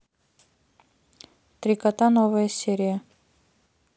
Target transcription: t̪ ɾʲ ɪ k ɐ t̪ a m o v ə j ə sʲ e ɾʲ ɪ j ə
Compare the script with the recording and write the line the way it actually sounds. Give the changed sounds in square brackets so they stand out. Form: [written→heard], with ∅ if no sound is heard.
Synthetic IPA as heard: t̪ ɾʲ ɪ k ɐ t̪ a [m→n] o v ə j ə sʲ e ɾʲ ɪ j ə